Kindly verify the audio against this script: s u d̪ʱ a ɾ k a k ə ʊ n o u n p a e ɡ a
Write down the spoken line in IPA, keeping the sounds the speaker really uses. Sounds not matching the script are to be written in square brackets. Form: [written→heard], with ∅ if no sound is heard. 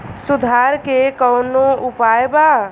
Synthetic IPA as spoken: s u d̪ʱ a ɾ k [a→e] k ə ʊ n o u [n→∅] p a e [ɡ→b] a

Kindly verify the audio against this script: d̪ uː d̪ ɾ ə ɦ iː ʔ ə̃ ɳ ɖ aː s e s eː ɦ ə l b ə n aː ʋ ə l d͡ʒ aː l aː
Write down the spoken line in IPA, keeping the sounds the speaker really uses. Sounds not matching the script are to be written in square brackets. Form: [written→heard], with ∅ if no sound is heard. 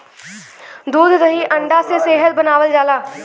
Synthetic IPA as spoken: d̪ uː d̪ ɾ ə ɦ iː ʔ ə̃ ɳ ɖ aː s e s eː ɦ ə l b ə n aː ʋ ə l d͡ʒ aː l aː

